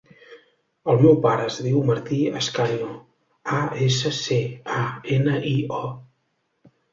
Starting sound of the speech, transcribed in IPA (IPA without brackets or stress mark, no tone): ə